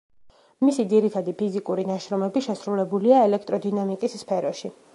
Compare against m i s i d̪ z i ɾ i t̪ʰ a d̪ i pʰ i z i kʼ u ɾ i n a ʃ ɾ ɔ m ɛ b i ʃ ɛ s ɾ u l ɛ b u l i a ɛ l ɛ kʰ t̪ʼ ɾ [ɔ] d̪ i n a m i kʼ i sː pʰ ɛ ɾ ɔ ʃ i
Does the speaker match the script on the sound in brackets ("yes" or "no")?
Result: yes